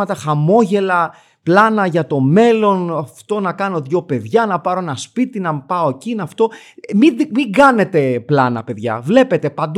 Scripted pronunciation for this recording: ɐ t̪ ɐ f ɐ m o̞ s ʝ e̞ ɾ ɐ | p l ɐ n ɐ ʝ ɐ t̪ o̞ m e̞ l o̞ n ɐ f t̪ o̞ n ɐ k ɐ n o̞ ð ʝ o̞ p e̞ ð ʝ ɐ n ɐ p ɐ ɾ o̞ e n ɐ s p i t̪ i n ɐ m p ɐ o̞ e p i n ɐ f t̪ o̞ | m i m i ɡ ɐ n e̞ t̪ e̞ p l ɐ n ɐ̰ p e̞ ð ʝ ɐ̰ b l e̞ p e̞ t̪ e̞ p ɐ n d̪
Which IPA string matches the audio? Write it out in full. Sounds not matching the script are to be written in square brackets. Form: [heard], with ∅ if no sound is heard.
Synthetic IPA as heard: ɐ t̪ ɐ [x] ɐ m o̞ [∅] ʝ e̞ [l] ɐ | p l ɐ n ɐ ʝ ɐ t̪ o̞ m e̞ l o̞ n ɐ f t̪ o̞ n ɐ k ɐ n o̞ ð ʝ o̞ p e̞ ð ʝ ɐ n ɐ p ɐ ɾ o̞ e n ɐ s p i t̪ i n ɐ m p ɐ o̞ e [c] i n ɐ f t̪ o̞ | m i m i ɡ ɐ n e̞ t̪ e̞ p l ɐ n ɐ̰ p e̞ ð ʝ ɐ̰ [v] l e̞ p e̞ t̪ e̞ p ɐ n d̪